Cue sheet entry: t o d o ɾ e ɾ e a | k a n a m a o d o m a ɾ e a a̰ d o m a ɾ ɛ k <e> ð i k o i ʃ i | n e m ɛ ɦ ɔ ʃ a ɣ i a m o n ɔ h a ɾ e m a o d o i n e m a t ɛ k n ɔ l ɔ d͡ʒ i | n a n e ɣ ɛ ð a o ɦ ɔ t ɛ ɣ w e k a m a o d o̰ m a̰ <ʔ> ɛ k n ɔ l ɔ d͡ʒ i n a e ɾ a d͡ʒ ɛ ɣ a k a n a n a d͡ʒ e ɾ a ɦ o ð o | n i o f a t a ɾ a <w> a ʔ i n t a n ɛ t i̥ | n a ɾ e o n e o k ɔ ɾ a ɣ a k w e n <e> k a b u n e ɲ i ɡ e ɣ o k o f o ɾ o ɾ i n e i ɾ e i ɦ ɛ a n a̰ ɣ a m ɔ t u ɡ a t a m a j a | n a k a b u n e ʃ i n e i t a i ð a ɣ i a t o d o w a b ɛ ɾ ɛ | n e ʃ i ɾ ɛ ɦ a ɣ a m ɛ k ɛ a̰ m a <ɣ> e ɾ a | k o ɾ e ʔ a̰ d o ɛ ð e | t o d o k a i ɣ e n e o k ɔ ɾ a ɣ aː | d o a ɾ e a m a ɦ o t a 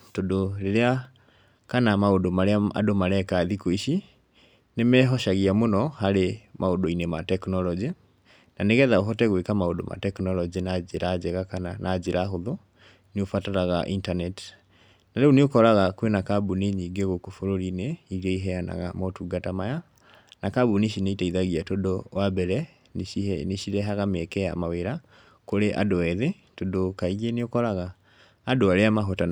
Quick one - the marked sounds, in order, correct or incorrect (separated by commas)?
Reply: incorrect, incorrect, incorrect, incorrect, incorrect